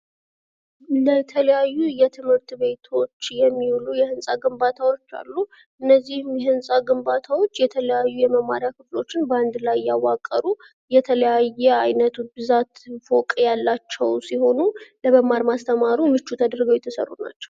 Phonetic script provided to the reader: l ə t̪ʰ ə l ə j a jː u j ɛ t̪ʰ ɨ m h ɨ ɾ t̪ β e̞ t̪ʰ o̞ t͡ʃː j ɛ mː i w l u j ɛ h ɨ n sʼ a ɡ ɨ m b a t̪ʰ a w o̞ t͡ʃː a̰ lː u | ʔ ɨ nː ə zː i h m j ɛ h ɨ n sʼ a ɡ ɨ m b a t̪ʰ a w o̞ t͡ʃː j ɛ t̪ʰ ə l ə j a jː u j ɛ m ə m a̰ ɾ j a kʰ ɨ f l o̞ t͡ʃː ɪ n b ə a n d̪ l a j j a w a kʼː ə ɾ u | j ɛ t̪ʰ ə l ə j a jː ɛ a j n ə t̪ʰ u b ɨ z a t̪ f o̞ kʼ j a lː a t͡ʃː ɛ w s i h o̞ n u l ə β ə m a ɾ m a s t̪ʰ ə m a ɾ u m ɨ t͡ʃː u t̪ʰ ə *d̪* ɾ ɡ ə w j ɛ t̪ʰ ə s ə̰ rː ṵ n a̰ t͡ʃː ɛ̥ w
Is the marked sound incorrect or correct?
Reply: correct